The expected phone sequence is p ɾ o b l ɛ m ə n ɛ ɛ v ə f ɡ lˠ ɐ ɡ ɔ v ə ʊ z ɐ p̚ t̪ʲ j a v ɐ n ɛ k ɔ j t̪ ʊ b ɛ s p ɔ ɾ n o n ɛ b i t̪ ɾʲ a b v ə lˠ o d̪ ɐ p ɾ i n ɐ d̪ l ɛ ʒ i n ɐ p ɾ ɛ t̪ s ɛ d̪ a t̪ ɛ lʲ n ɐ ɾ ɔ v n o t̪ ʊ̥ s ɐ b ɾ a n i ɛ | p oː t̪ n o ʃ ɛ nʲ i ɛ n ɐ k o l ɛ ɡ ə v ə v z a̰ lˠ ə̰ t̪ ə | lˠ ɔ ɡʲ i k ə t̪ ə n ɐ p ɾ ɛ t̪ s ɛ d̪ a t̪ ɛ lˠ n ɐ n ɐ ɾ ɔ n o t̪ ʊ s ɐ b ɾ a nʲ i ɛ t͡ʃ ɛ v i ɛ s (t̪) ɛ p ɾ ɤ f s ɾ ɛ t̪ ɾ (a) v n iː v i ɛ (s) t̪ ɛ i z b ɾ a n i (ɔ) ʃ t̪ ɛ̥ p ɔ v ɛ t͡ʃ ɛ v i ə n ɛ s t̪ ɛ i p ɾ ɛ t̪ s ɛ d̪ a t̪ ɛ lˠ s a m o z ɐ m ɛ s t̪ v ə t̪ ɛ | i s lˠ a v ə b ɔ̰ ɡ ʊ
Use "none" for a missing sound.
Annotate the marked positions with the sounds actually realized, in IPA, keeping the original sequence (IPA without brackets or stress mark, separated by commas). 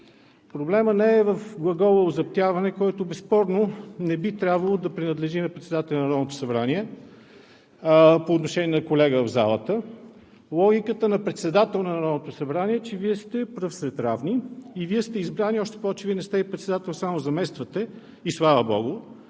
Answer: t̪, a, s, ɔ